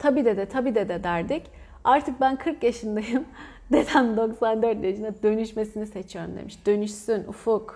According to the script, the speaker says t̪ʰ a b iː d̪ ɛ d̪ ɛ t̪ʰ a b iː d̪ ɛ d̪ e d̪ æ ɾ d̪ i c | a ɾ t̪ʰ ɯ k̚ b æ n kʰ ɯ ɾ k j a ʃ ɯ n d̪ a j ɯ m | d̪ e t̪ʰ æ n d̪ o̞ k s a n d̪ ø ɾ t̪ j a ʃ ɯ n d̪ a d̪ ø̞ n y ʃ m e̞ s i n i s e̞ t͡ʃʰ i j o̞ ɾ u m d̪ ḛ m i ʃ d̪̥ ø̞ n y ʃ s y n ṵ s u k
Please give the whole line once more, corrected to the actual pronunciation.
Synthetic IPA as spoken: t̪ʰ a b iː d̪ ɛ d̪ ɛ t̪ʰ a b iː d̪ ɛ d̪ ɛ d̪ æ ɾ d̪ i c | a ɾ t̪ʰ ɯ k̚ b æ n kʰ ɯ ɾ k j a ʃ ɯ n d̪ a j ɯ m | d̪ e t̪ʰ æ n d̪ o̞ k s a n d̪ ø ɾ t̪ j a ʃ ɯ n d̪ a d̪ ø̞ n y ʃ m e̞ s i n i s e̞ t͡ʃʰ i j o̞ ɾ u m d̪ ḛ m i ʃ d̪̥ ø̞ n y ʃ s y n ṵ f u k